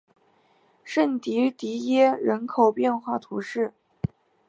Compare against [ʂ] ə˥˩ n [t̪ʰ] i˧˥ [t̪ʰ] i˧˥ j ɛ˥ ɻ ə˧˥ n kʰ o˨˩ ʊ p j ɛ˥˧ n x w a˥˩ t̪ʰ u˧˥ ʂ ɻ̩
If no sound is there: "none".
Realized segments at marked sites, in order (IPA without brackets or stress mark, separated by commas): ʂ, t̪, t̪